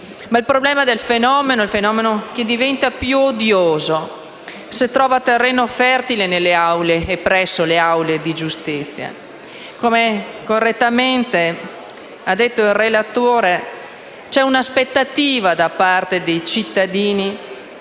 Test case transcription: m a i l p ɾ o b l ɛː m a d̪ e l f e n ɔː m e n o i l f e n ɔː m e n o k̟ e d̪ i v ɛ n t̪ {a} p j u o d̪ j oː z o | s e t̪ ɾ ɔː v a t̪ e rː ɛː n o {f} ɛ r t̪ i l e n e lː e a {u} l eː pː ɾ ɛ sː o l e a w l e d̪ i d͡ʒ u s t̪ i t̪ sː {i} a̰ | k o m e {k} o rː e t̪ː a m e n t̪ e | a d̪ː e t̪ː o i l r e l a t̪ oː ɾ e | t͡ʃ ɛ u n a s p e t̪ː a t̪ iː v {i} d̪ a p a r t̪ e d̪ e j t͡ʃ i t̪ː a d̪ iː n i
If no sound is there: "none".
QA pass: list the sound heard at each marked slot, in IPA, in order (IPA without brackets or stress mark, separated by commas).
a, f, w, j, k, a